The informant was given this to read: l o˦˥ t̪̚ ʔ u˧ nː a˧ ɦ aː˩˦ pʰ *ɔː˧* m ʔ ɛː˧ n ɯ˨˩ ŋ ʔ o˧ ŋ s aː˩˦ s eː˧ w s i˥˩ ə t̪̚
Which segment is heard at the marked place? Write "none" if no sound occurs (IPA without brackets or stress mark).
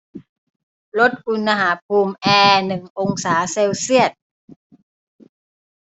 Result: uː˧